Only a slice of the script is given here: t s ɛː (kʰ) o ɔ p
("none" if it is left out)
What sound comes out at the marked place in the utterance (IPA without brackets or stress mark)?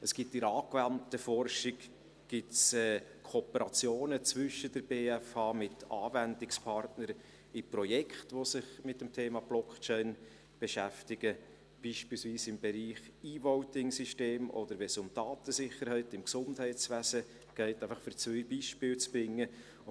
kʰ